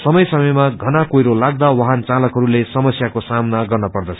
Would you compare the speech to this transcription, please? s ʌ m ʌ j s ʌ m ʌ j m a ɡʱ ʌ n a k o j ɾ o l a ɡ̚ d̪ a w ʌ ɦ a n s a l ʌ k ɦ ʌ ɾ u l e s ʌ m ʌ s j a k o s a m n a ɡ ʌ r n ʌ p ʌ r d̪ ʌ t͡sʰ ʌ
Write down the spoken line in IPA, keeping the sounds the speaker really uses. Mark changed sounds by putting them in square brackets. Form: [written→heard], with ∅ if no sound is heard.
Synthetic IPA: s ʌ m ʌ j s ʌ m ʌ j m a ɡʱ ʌ n a k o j ɾ o l a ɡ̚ d̪ a w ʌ ɦ a n [s→t͡s] a l ʌ k ɦ ʌ ɾ u l e s ʌ m ʌ s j a k o s a m n a ɡ ʌ r n ʌ p ʌ r d̪ ʌ t͡sʰ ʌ